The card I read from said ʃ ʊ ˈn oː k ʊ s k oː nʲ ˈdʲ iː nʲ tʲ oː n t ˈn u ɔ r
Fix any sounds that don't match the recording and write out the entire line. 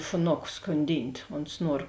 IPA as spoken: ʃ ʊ ˈn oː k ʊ s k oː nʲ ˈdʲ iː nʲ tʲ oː n s ˈn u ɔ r